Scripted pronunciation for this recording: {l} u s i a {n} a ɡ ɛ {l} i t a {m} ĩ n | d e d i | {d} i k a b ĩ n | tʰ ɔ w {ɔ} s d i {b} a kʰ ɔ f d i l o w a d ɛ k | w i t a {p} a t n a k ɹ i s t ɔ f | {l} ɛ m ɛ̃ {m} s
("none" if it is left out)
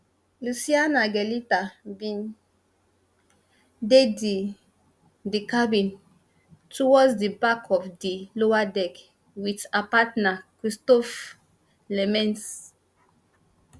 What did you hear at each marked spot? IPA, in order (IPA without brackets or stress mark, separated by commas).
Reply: l, n, l, b, d, ɔ, b, p, l, n